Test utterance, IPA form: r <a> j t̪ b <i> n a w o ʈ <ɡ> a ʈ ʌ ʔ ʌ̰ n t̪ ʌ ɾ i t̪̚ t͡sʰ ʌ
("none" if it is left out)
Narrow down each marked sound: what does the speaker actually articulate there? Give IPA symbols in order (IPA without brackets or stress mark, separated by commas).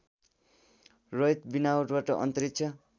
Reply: ʌ, i, b